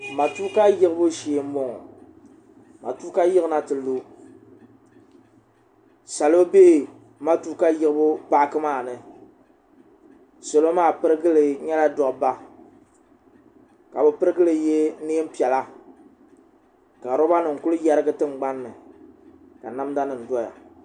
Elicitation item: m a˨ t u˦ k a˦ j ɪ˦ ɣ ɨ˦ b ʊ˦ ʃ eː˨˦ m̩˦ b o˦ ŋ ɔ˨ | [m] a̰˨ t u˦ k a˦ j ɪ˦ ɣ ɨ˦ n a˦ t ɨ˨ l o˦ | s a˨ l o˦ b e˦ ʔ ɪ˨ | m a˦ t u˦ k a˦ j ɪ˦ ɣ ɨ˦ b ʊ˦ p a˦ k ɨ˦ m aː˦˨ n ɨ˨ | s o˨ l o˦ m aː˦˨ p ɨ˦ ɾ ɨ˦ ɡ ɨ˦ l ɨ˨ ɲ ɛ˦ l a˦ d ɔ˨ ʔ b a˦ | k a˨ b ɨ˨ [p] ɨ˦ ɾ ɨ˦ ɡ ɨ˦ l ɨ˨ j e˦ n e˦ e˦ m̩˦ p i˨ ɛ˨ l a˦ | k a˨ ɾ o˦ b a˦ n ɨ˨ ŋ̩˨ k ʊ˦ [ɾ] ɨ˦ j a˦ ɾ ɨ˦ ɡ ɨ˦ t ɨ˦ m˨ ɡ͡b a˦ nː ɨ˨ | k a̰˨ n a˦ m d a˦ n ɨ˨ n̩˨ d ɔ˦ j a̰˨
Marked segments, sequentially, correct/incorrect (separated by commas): correct, correct, incorrect